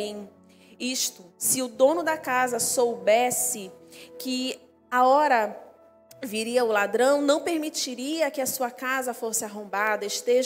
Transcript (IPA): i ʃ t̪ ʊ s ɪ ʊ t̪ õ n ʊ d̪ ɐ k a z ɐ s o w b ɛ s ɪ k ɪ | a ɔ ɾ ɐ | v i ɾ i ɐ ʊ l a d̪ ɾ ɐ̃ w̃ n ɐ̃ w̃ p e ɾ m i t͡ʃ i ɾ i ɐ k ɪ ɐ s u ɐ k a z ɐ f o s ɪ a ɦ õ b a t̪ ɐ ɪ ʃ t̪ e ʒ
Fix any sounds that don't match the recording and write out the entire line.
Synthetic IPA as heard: i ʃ t̪ ʊ s ɪ ʊ d̪ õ n ʊ d̪ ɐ k a z ɐ s o w b ɛ s ɪ k ɪ | a ɔ ɾ ɐ | v i ɾ i ɐ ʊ l a d̪ ɾ ɐ̃ w̃ n ɐ̃ w̃ p e ɾ m i t͡ʃ i ɾ i ɐ k ɪ ɐ s u ɐ k a z ɐ f o s ɪ a ɦ õ b a d̪ ɐ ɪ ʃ t̪ e ʒ